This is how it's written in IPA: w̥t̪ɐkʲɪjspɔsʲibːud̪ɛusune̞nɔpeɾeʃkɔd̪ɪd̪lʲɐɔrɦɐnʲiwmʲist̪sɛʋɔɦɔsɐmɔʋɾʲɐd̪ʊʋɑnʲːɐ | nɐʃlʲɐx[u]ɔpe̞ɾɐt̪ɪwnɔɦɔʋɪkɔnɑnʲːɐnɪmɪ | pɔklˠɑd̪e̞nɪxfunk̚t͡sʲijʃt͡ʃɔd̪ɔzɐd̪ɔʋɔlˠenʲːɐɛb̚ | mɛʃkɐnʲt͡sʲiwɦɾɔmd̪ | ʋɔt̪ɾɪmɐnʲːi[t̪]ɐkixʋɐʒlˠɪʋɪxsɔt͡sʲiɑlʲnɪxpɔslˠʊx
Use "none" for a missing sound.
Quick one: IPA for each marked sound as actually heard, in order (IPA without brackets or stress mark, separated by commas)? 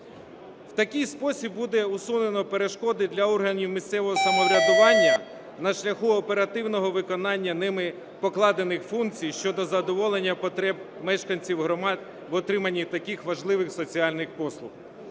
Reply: u, t̪